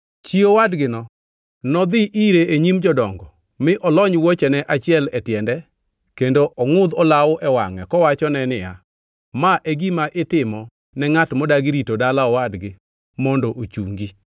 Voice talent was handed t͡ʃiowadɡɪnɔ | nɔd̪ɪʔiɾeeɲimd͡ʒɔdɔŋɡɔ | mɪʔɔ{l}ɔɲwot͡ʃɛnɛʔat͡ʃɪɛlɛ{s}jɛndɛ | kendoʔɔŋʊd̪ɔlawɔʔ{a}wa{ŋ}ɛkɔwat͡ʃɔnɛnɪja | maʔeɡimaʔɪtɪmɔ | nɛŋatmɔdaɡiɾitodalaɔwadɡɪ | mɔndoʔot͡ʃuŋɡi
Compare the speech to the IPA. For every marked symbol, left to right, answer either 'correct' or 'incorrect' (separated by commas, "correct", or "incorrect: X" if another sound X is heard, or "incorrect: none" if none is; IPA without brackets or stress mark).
correct, incorrect: t, incorrect: ɛ, correct